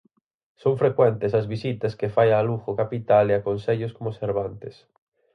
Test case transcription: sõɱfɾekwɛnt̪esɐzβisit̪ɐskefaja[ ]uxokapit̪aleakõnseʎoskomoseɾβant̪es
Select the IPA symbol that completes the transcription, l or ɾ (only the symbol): l